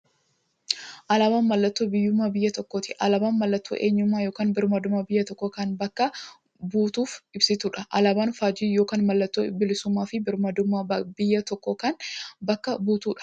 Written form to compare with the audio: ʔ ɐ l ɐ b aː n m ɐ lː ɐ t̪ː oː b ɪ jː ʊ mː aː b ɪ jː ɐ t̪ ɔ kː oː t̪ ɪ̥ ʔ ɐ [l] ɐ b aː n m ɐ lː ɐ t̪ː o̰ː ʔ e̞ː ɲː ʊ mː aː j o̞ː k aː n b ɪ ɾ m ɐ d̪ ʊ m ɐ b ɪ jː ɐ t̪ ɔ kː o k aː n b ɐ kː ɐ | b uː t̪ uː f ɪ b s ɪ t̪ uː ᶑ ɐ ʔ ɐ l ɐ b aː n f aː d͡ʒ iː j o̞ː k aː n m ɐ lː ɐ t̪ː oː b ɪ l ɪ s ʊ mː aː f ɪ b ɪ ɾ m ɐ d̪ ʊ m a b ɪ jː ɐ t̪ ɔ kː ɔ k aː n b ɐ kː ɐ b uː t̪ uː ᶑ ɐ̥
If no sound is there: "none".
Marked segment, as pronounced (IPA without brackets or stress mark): l